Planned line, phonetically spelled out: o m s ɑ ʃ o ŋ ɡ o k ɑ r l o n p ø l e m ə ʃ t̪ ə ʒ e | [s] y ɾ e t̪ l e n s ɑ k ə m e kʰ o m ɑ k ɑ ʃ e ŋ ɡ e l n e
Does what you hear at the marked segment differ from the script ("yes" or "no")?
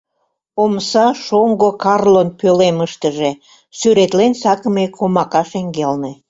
no